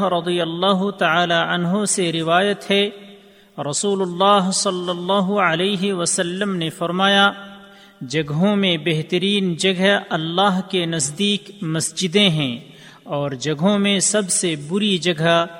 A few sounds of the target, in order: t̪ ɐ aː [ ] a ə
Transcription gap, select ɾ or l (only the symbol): l